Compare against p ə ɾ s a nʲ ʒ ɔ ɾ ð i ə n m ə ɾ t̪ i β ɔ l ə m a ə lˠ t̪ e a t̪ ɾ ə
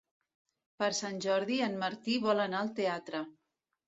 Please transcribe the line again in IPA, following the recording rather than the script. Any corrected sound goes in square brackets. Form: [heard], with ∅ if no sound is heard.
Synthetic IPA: p ə ɾ s a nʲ ʒ ɔ ɾ ð i ə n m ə ɾ t̪ i β ɔ l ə [n] a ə lˠ t̪ e a t̪ ɾ ə